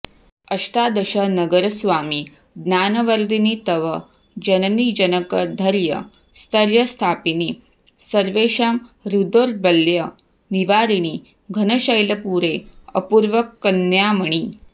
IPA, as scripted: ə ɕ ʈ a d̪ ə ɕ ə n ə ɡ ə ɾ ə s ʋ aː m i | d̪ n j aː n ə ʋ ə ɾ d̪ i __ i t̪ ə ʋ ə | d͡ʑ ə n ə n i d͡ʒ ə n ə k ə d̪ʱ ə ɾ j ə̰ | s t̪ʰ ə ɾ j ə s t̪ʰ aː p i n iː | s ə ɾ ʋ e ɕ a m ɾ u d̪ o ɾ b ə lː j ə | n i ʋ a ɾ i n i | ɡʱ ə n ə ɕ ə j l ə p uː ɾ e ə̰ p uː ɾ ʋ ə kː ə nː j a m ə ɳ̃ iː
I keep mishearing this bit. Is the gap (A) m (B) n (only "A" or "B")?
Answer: B